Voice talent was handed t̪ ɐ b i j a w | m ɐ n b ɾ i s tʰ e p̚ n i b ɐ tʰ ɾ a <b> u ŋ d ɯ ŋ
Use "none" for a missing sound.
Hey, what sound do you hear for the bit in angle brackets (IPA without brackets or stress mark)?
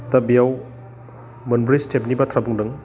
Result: b